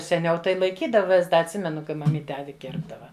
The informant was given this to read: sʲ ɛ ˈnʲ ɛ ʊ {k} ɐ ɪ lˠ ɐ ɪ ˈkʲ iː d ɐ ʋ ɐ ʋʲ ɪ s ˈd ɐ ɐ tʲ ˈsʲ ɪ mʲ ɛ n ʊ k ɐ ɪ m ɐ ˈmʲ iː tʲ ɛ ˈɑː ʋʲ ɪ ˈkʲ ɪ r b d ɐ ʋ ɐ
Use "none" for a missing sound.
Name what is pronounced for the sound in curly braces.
t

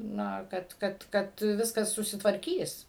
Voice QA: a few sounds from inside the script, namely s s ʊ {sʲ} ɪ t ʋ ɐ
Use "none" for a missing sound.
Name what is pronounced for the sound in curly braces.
sʲ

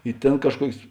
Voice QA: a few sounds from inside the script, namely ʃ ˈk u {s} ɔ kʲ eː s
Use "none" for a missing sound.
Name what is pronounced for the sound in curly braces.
none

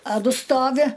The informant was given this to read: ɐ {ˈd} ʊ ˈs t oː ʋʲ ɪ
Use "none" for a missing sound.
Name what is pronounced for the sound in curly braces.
d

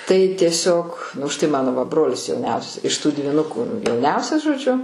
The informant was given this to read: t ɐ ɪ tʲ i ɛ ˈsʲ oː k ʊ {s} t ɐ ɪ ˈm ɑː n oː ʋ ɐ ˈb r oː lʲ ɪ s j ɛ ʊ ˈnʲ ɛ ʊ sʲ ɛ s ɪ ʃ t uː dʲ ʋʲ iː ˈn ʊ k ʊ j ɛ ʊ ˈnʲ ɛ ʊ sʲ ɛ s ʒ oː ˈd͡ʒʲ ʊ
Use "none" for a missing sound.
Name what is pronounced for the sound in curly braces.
ʃ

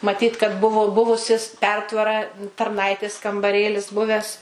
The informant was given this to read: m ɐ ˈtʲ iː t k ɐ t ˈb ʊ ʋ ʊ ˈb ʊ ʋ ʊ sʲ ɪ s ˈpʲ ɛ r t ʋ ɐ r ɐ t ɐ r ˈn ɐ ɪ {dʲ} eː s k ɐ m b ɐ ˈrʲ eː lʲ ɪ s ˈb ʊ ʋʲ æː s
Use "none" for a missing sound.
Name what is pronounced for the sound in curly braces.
tʲ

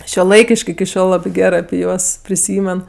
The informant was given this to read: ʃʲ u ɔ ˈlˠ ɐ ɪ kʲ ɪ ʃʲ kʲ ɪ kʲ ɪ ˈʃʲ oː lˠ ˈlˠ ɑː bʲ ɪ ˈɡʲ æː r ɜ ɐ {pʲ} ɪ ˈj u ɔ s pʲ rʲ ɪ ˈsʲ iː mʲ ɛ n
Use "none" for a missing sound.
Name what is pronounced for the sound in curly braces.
pʲ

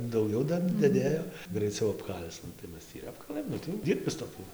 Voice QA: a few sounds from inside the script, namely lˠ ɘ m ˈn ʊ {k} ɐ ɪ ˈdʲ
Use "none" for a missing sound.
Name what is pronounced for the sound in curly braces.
t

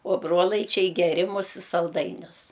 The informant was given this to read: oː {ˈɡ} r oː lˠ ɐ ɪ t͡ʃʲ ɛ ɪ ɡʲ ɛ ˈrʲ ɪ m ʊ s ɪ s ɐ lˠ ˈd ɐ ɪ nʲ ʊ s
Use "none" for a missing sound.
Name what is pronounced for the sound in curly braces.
b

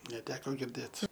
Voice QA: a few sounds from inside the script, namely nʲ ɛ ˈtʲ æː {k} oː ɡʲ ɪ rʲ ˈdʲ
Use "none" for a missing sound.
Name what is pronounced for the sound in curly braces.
k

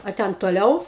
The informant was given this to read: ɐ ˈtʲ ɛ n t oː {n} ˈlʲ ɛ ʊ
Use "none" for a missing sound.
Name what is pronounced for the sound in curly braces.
none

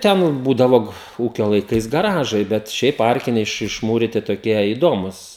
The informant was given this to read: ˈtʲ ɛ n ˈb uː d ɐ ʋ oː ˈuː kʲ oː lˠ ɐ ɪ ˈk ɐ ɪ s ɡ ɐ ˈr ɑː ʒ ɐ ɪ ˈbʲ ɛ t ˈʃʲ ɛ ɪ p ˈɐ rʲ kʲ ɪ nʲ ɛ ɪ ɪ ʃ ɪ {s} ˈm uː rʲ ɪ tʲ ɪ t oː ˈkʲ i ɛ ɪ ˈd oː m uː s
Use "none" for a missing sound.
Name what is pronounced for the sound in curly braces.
ʃ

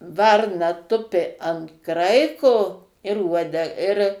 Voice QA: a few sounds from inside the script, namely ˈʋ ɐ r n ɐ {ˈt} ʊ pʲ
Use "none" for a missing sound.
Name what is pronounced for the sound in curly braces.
t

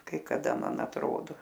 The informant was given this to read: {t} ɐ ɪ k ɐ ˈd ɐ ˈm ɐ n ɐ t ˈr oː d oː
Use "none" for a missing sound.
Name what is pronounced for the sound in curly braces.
k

